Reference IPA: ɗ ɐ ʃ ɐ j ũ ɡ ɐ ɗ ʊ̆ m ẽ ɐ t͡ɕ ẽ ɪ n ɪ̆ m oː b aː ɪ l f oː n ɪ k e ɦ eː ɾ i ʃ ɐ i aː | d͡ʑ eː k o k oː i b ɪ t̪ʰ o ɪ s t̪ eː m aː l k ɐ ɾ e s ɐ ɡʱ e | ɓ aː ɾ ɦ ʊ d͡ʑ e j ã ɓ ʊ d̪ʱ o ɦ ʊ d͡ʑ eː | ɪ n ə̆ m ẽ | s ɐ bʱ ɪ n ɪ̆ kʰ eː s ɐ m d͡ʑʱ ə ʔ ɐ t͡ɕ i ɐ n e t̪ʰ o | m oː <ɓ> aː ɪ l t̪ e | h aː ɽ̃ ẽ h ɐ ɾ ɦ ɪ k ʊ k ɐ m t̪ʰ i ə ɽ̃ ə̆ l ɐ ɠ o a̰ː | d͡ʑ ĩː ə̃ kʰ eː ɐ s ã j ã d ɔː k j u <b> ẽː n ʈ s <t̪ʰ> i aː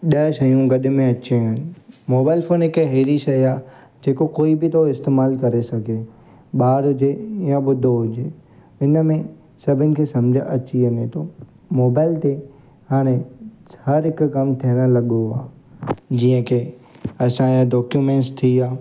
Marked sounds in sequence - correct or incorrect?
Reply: incorrect: b, incorrect: m, correct

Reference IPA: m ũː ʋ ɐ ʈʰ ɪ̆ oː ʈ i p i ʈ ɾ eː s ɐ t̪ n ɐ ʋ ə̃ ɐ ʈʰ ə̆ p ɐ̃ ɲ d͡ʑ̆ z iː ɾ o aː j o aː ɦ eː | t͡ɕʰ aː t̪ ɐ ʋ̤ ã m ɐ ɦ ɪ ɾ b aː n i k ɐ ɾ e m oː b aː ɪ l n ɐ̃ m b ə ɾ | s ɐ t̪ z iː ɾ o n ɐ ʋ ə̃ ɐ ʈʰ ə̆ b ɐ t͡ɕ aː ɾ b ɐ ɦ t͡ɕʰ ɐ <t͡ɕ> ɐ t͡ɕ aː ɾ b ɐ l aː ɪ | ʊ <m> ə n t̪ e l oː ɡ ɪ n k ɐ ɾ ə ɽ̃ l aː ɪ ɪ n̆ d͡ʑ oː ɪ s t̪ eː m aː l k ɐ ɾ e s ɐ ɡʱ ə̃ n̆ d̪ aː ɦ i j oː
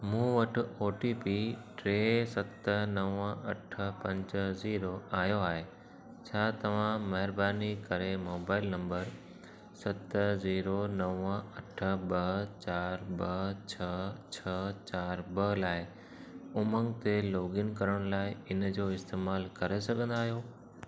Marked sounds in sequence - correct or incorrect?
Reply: incorrect: t͡ɕʰ, correct

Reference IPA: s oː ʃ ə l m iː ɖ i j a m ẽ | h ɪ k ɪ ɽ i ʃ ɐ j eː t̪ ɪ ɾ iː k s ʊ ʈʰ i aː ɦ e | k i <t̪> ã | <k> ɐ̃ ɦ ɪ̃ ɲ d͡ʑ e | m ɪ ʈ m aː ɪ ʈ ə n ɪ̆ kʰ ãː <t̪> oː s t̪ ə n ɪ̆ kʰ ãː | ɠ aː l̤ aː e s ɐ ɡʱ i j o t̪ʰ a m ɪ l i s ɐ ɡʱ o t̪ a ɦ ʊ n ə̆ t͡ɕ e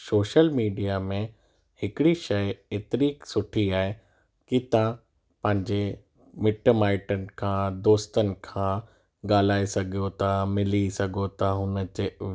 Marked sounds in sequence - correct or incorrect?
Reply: correct, incorrect: p, incorrect: d̪

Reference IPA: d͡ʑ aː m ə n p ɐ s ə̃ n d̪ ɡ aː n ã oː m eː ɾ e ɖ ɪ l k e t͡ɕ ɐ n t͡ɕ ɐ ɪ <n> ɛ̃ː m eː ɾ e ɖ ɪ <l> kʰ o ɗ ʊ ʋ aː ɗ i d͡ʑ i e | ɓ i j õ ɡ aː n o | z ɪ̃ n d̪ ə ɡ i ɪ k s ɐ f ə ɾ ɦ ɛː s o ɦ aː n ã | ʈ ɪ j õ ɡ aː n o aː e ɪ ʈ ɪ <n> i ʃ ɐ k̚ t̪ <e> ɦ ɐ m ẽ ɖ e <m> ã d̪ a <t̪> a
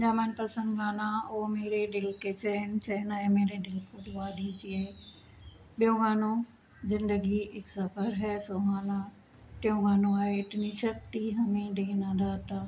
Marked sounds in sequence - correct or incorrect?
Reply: correct, correct, correct, incorrect: i, incorrect: n, correct

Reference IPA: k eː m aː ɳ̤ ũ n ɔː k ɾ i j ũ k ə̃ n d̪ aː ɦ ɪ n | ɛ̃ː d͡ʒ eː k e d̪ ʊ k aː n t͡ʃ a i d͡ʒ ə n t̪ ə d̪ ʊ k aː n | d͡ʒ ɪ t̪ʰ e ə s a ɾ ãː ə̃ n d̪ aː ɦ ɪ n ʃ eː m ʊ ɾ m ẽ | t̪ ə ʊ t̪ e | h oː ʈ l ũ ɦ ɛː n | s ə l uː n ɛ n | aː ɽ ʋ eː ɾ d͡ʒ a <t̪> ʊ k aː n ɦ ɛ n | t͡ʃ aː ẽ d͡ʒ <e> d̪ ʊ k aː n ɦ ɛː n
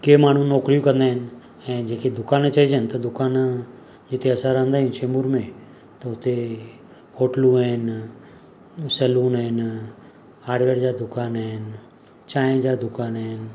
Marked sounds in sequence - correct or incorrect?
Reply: incorrect: d̪, incorrect: a

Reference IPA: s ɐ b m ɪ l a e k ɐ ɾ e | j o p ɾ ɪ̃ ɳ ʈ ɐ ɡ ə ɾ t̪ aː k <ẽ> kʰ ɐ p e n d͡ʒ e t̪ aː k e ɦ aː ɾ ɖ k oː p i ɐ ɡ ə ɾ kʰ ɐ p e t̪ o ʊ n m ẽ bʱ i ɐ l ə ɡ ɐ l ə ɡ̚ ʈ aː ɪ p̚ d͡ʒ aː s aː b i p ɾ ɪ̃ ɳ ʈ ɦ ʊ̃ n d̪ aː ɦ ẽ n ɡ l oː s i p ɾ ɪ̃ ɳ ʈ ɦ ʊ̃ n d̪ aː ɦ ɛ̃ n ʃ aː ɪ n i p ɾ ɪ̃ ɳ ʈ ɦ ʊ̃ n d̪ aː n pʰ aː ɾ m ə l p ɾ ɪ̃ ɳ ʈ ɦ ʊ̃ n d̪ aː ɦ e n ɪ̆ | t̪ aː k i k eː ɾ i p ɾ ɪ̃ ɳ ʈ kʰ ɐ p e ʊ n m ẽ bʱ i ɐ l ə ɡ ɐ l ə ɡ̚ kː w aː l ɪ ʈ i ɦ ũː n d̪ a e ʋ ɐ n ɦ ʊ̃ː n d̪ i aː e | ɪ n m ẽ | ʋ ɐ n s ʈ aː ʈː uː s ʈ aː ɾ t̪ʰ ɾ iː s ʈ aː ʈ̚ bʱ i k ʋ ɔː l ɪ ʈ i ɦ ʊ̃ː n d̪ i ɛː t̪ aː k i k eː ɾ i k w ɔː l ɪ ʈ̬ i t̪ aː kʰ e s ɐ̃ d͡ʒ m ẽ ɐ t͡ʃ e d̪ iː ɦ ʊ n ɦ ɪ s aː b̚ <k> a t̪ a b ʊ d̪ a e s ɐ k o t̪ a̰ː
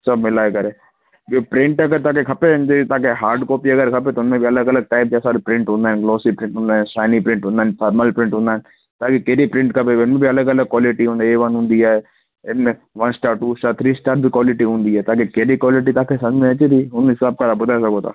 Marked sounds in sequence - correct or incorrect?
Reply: incorrect: e, correct

